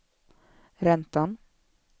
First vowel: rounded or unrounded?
unrounded